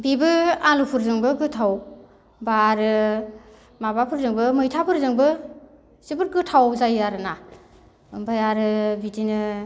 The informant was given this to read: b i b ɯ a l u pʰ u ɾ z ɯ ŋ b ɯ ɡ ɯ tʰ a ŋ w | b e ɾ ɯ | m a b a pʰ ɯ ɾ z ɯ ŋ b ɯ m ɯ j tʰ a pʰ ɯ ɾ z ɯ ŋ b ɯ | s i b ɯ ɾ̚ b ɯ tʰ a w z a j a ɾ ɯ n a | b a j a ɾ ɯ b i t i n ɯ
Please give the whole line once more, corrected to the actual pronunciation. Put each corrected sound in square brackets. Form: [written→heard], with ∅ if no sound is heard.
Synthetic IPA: b i b ɯ a l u pʰ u ɾ z ɯ ŋ b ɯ ɡ ɯ tʰ a [ŋ→∅] w | b [e→a] ɾ ɯ | m a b a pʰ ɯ ɾ z ɯ ŋ b ɯ m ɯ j tʰ a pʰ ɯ ɾ z ɯ ŋ b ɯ | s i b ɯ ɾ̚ [b→ɡ] ɯ tʰ a w z a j a ɾ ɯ n a | b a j a ɾ ɯ b i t i n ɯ